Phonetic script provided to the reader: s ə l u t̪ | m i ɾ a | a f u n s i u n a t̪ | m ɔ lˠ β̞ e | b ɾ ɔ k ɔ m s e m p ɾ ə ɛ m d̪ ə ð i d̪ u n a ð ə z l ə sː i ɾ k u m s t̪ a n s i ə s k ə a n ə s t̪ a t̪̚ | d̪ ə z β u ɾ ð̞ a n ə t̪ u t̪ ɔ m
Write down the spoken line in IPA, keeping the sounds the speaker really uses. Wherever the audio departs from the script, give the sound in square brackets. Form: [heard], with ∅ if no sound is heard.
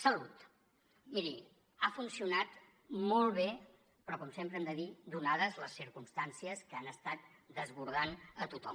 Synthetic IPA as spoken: s ə l u t̪ | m i ɾ [i] | a f u n s i u n a t̪ | m ɔ lˠ β̞ e | [p] ɾ ɔ k ɔ m s e m p ɾ ə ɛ m d̪ ə ð i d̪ u n a ð ə z l ə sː i ɾ k u m s t̪ a n s i ə s k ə a n ə s t̪ a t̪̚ | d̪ ə z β u ɾ ð̞ a n ə t̪ u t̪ ɔ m